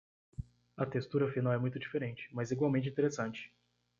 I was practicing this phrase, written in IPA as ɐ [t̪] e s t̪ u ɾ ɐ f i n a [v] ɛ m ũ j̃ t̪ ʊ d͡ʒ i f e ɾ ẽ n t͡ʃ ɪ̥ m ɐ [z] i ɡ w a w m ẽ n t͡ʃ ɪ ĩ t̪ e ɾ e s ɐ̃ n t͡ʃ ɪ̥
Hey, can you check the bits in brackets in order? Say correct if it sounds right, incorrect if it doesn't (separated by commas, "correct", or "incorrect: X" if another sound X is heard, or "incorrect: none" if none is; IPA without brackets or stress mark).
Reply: correct, incorrect: w, correct